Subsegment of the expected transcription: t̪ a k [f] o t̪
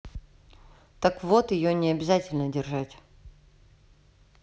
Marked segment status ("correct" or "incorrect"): incorrect